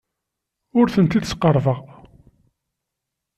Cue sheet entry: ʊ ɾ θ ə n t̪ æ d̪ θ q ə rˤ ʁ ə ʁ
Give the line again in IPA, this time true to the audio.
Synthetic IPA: ʊ ɾ θ ə n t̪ i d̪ s q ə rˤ v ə ʁ